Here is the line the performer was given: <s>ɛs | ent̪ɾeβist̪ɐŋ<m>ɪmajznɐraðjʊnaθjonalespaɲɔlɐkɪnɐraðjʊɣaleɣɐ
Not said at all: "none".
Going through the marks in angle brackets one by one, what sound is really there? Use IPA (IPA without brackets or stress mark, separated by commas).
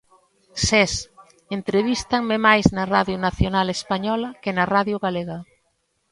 s, m